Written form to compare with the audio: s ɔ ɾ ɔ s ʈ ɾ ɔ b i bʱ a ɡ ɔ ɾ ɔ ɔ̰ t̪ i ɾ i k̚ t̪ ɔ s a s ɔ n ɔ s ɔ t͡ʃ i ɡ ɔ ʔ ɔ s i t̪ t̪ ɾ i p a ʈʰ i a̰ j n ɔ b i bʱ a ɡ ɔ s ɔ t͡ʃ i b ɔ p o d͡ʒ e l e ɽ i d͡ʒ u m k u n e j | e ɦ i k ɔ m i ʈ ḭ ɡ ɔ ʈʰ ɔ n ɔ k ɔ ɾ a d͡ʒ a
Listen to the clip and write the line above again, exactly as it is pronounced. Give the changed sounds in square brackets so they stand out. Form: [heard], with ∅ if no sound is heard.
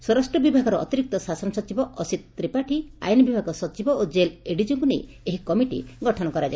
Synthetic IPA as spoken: s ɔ ɾ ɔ s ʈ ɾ ɔ b i bʱ a ɡ ɔ ɾ ɔ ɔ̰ t̪ i ɾ i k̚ t̪ ɔ s a s ɔ n ɔ s ɔ t͡ʃ i [b] ɔ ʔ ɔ s i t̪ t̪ ɾ i p a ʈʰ i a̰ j n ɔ b i bʱ a ɡ ɔ s ɔ t͡ʃ i b ɔ [∅] o d͡ʒ e l e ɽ i d͡ʒ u [ŋ] k u n e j | e ɦ i k ɔ m i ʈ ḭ ɡ ɔ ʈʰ ɔ n ɔ k ɔ ɾ a d͡ʒ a

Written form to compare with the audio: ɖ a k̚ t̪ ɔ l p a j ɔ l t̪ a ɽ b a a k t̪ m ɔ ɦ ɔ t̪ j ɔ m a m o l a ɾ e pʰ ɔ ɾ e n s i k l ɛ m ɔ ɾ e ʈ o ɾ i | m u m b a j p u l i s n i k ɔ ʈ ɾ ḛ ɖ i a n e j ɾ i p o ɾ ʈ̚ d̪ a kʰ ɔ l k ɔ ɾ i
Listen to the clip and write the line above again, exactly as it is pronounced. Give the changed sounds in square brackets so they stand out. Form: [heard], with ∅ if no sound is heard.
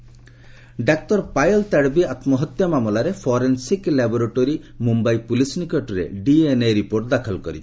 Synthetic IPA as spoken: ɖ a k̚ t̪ ɔ [ɾ] p a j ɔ l t̪ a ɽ b [i] a [∅] t̪ m ɔ ɦ ɔ t̪ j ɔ m a m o l a ɾ e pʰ ɔ ɾ e n s i k l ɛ [b] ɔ ɾ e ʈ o ɾ i | m u m b a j p u l i s n i k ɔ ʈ ɾ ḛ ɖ i [e] n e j ɾ i p o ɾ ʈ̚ d̪ a kʰ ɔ l k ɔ ɾ i

